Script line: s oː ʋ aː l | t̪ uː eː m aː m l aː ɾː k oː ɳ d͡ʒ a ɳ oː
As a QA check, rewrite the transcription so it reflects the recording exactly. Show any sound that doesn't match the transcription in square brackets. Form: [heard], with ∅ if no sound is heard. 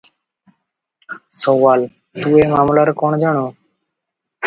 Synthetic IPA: s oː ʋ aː l | t̪ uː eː m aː m l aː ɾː k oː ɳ d͡ʒ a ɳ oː